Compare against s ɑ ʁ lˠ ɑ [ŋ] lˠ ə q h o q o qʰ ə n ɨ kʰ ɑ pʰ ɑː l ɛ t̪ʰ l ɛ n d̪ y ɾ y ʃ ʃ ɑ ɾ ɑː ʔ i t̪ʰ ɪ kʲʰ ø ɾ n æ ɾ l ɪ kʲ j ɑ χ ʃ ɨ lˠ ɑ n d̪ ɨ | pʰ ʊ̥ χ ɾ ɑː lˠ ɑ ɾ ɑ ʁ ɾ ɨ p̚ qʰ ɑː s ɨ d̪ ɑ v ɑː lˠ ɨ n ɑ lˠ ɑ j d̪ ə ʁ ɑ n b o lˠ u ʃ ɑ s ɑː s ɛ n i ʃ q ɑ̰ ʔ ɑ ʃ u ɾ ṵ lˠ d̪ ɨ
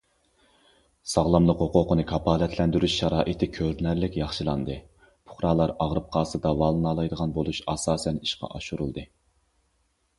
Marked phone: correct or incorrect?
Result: incorrect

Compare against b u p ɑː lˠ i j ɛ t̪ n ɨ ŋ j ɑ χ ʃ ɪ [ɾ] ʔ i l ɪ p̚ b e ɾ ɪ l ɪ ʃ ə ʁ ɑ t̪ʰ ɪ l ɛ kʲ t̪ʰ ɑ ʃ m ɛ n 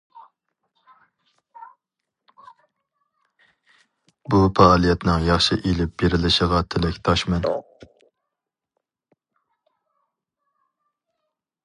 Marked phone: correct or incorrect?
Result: incorrect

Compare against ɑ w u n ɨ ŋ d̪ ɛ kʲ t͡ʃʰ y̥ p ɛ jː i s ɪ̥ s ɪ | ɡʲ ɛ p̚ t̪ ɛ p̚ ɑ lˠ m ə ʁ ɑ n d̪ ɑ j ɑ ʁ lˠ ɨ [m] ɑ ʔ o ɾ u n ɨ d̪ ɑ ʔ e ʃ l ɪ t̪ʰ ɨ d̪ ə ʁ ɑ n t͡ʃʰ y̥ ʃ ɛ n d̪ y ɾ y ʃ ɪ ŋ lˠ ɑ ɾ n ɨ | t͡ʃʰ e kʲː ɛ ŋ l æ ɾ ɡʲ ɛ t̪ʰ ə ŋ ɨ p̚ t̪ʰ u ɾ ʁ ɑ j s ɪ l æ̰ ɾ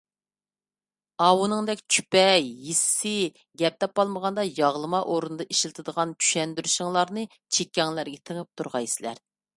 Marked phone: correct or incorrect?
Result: correct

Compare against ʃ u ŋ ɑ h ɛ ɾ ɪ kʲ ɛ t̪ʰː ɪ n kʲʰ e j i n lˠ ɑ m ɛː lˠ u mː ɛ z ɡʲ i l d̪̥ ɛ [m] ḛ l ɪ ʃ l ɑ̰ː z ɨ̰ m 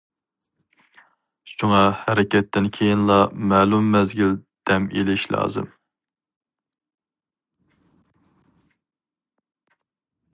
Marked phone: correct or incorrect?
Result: correct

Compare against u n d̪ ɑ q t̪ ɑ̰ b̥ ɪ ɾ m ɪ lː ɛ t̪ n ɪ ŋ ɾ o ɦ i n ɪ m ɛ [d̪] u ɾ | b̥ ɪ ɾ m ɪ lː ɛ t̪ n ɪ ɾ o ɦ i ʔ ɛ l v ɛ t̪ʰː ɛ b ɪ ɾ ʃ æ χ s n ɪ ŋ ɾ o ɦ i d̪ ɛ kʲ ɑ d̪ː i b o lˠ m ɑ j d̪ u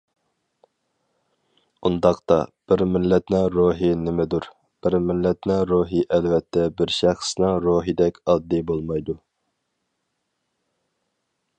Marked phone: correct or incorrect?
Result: correct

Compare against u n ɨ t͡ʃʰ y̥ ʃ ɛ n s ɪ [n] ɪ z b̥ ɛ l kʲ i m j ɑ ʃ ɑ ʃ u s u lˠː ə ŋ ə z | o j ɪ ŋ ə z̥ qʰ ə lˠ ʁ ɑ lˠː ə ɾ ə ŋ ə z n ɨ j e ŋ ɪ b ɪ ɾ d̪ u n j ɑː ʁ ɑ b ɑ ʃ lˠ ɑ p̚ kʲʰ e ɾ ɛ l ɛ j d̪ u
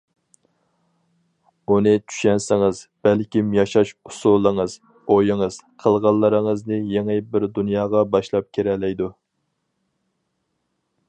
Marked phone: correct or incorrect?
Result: incorrect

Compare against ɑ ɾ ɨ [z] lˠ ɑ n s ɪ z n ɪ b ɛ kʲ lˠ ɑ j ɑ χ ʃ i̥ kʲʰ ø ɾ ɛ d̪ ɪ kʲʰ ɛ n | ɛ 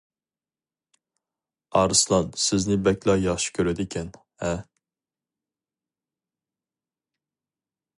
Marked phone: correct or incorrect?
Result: incorrect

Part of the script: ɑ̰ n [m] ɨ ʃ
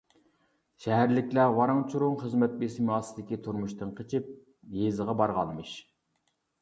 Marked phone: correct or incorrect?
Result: correct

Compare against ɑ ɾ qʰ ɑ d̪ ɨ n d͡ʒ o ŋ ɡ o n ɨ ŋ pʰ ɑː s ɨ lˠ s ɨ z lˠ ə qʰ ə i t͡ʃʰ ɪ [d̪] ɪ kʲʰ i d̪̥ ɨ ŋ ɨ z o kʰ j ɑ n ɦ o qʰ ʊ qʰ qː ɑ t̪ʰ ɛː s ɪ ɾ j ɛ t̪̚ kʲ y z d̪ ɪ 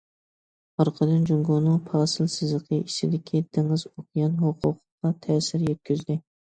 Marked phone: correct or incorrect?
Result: correct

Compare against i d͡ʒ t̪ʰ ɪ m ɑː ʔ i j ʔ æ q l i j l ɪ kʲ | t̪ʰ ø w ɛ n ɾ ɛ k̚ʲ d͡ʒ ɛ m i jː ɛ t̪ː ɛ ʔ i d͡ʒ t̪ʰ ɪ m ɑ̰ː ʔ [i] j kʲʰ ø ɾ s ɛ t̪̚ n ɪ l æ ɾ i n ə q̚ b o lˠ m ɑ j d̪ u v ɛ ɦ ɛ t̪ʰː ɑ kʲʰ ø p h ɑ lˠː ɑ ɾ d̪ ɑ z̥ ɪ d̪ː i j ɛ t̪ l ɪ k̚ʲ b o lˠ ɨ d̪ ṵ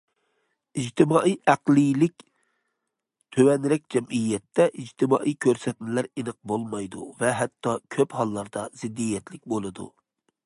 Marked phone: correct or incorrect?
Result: correct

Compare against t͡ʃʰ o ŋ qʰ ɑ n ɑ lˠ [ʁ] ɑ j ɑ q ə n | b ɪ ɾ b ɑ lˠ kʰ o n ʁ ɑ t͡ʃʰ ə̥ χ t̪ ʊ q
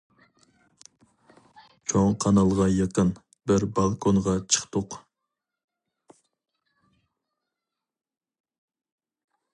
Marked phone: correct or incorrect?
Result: correct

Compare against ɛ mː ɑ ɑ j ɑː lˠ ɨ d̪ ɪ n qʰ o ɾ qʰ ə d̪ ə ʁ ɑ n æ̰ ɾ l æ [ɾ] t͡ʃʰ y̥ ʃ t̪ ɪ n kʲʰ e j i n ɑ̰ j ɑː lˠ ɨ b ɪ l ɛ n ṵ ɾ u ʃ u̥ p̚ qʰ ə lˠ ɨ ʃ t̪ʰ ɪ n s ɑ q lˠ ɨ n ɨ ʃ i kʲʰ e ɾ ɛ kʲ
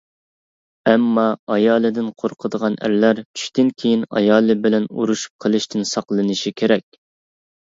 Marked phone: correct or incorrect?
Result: correct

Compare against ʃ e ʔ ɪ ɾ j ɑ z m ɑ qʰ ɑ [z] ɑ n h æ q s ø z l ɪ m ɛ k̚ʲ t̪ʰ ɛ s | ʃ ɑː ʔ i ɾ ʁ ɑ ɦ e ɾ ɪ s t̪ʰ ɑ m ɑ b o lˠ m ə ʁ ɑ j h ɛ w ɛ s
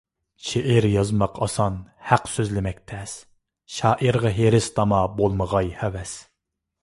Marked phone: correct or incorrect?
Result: incorrect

